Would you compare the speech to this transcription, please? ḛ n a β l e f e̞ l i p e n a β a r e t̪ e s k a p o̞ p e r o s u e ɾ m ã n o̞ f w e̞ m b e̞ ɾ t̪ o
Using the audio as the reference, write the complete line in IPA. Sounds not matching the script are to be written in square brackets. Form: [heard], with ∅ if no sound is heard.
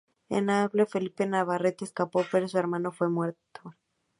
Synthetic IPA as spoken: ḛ n a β l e f e̞ l i p e n a β a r e t̪ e s k a p o̞ p e [ɾ] o s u e ɾ m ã n o̞ f w e̞ m [w] e̞ ɾ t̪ o